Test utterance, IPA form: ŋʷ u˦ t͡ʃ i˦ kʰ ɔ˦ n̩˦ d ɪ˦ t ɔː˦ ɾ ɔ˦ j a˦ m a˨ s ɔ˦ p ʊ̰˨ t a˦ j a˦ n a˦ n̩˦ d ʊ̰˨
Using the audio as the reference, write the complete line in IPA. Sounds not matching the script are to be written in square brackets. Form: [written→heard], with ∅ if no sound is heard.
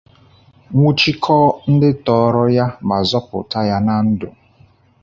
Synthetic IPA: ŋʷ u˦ t͡ʃ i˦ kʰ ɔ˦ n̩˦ d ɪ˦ t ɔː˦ ɾ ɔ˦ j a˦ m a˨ [s→z] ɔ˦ p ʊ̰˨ t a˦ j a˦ n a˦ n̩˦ d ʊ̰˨